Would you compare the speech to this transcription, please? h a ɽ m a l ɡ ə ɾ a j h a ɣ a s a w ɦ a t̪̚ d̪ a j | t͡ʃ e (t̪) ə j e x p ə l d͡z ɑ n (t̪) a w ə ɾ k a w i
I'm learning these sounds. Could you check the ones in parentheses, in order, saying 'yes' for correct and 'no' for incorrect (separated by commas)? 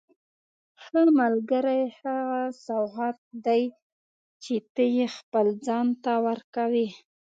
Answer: yes, yes